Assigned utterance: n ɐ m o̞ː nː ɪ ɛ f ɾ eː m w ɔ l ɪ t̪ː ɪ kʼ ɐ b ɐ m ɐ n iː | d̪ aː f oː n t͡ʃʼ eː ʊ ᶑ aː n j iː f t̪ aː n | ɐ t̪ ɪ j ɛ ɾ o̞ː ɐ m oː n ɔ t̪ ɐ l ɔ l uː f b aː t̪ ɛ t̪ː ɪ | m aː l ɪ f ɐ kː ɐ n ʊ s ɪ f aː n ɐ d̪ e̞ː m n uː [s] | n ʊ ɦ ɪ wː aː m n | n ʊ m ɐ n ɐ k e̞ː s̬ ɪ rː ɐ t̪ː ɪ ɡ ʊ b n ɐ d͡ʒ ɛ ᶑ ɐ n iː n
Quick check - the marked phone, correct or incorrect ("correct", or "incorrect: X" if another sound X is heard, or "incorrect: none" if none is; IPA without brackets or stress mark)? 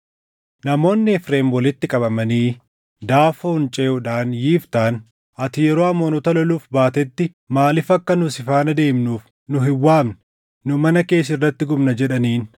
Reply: incorrect: f